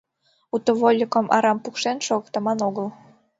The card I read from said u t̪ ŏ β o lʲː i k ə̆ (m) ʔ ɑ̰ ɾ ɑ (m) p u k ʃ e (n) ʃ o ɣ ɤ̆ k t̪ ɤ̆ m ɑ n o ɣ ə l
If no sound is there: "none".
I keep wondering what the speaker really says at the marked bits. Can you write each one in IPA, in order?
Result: m, m, n

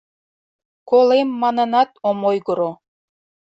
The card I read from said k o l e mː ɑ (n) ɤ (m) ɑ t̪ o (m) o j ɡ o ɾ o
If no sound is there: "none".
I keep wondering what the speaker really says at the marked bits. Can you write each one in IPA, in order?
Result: n, n, m

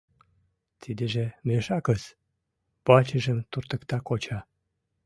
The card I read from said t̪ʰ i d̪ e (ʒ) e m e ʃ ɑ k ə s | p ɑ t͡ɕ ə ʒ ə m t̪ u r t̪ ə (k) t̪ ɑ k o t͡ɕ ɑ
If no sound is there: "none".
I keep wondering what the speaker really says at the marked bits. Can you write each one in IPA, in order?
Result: ʒ, k

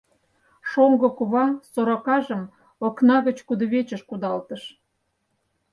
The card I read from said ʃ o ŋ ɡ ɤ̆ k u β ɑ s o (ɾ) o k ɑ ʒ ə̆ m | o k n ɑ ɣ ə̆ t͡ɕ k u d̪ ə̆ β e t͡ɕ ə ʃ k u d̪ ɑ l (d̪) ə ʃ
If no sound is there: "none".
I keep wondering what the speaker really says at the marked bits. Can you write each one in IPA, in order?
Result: ɾ, t̪

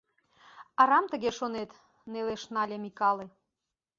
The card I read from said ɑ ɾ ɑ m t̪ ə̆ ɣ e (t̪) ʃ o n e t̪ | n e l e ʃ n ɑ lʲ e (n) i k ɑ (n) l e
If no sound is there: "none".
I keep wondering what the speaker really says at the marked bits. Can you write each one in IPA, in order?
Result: none, m, none

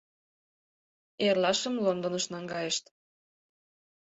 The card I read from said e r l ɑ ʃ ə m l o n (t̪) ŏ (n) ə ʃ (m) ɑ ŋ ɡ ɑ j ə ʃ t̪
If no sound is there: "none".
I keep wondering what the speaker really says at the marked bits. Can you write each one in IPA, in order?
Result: d̪, n, n

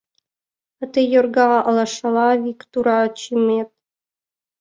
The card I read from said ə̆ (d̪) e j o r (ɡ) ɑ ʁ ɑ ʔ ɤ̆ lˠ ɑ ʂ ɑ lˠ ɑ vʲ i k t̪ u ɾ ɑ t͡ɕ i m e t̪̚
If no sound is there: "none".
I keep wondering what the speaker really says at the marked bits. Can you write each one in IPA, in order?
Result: t̪, ɡ

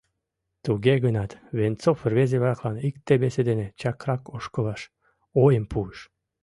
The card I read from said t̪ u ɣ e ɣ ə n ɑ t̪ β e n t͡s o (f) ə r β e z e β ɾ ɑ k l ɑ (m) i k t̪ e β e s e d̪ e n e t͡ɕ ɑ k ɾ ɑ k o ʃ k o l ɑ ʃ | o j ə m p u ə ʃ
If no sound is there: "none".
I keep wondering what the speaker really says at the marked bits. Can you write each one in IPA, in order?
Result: f, n

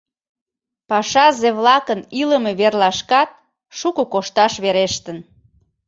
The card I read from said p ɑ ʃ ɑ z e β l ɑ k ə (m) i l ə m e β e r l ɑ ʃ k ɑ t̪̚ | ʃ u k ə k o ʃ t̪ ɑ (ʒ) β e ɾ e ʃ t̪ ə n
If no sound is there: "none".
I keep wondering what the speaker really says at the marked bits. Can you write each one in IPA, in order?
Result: n, ʃ

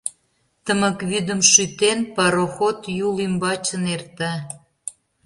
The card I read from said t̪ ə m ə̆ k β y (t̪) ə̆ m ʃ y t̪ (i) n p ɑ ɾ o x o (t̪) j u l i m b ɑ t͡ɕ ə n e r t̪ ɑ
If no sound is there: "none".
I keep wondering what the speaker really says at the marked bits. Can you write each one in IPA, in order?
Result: d̪, e, t̪

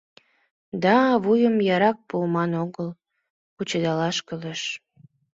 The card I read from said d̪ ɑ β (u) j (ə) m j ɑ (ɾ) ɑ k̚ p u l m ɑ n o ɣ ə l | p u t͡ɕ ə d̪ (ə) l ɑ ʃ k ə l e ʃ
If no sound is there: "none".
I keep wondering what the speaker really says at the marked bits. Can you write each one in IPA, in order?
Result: u, ə, ɾ, ɑ

